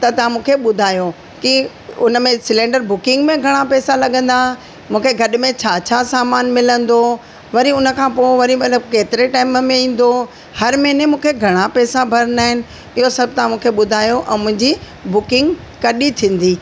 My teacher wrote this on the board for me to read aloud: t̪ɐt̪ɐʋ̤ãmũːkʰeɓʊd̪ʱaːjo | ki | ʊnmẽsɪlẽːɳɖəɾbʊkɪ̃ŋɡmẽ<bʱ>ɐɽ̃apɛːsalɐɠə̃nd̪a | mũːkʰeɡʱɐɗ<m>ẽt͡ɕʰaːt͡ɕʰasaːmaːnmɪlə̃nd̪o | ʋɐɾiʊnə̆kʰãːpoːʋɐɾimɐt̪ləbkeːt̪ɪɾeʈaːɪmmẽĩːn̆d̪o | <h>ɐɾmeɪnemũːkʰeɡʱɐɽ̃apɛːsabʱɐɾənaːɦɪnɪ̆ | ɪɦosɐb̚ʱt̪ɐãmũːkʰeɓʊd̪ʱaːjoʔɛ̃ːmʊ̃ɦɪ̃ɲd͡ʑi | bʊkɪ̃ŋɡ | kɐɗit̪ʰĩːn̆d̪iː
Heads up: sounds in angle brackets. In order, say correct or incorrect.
incorrect, correct, correct

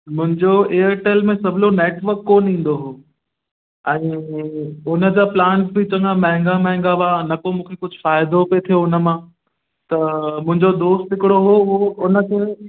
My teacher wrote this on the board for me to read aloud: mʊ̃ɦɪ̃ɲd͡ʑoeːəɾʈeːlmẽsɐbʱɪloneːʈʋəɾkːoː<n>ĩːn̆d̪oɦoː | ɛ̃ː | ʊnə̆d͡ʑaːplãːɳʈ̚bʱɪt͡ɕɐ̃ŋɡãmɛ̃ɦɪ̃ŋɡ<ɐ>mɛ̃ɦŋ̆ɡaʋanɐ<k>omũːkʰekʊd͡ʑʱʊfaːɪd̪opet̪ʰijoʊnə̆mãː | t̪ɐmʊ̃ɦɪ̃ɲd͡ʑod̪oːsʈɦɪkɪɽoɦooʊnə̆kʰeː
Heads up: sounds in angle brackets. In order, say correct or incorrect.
correct, incorrect, correct

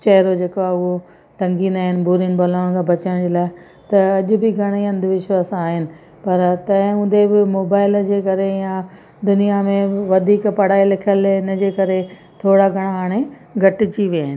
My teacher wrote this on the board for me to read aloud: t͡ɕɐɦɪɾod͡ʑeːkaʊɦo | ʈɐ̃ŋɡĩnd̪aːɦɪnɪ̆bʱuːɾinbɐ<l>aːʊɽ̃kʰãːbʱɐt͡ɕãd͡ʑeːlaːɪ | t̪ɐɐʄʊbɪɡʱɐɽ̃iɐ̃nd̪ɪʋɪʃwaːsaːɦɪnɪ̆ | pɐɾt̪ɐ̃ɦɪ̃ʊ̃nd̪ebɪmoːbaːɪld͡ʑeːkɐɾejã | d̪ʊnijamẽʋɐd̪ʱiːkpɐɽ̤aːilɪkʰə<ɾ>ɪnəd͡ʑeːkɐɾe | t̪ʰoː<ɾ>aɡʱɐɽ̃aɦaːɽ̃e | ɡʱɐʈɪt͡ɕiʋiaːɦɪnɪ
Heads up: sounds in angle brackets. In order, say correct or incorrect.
correct, incorrect, incorrect

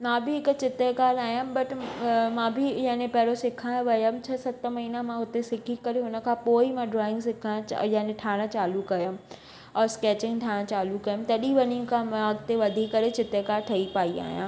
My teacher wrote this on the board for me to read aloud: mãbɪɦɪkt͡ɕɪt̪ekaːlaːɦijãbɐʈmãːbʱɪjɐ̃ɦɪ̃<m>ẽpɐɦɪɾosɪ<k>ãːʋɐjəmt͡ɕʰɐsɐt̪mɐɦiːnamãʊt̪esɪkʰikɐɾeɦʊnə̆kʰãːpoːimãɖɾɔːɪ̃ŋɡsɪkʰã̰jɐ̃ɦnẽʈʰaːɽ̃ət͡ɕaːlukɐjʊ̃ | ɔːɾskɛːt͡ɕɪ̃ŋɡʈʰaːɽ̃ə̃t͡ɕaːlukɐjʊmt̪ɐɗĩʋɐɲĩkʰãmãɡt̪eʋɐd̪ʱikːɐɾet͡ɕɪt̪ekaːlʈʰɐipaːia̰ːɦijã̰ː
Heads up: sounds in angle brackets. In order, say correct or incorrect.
incorrect, incorrect

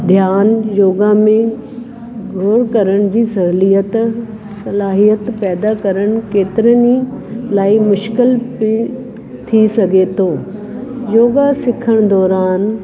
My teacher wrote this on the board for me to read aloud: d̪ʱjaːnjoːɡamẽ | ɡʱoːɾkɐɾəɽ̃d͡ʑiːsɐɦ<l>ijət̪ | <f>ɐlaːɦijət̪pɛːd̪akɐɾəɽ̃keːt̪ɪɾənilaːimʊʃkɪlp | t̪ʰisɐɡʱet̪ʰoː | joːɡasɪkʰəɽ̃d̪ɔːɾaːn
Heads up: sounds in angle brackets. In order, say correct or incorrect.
correct, incorrect

